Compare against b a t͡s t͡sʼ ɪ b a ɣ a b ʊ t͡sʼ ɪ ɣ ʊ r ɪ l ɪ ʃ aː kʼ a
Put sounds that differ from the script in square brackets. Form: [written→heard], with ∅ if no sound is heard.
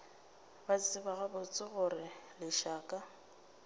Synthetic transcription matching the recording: b a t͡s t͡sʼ ɪ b a ɣ a b ʊ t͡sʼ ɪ ɣ ʊ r ɪ l ɪ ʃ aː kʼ a